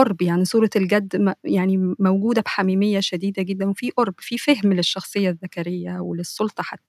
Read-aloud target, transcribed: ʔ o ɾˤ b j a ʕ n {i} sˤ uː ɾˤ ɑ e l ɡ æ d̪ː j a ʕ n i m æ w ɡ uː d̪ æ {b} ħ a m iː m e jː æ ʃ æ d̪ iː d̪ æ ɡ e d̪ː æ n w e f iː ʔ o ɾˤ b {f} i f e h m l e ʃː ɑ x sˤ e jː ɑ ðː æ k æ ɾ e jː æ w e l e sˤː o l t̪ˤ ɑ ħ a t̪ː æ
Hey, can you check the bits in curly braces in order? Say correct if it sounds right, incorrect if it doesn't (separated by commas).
correct, correct, correct